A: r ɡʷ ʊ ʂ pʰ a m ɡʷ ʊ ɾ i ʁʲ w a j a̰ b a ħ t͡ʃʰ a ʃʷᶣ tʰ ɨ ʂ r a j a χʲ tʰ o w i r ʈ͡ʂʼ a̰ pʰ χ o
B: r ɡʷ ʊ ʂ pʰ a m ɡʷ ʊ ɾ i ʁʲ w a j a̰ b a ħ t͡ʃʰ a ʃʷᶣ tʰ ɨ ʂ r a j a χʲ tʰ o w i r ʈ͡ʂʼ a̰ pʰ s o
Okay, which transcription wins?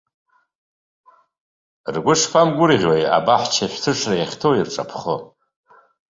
A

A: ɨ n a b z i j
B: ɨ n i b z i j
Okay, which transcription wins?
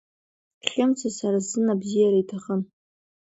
A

